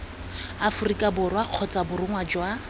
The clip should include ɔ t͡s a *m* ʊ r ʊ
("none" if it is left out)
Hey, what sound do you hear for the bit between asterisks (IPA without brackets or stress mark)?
b